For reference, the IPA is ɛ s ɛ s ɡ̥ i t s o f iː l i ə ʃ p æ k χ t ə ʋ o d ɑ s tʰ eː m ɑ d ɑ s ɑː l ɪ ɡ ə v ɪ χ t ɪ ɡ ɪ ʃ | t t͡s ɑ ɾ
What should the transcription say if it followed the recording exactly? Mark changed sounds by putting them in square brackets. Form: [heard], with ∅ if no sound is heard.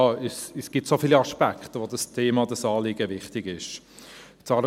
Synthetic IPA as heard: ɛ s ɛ s ɡ̥ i t s o f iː l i [ɑ] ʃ p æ k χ t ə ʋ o d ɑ s tʰ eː m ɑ d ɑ s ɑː l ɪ ɡ ə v ɪ χ t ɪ ɡ ɪ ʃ | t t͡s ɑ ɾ